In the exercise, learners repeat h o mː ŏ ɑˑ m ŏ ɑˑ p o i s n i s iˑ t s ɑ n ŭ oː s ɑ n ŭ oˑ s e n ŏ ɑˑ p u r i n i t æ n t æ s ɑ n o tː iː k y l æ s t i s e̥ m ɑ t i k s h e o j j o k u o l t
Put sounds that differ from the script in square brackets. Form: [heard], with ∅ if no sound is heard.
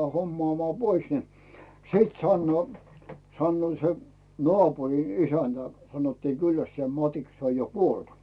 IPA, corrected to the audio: h o mː ŏ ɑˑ m ŏ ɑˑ p o i s n i s iˑ t s ɑ [nː] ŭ oː s ɑ [nː] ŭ oˑ s e n ŏ ɑˑ p u r i n i [s] æ n t æ s ɑ n o tː iː k y [lː] æ s t i s e̥ m ɑ t i k s [s] e o j j o k u o l t